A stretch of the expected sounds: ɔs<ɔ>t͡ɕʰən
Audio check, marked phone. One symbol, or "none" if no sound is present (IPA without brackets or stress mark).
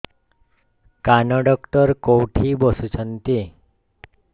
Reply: u